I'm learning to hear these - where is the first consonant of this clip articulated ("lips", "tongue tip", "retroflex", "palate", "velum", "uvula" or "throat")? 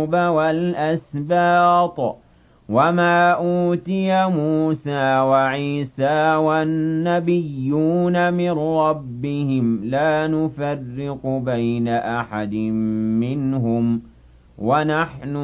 lips